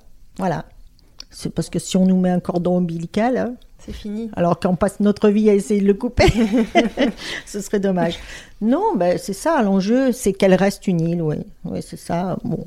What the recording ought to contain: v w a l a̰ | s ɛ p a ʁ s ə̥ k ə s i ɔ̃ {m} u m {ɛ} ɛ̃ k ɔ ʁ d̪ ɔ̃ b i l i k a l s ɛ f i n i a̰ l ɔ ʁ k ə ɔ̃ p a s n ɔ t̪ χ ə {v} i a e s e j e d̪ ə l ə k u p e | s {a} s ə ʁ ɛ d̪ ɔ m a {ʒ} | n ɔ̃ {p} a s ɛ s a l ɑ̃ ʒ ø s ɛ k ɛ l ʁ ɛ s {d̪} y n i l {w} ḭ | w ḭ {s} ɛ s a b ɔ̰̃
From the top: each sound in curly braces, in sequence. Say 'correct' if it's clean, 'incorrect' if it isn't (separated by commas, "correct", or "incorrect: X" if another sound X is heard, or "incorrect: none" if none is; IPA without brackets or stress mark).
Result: incorrect: n, correct, correct, incorrect: ə, correct, incorrect: b, incorrect: t̪, correct, correct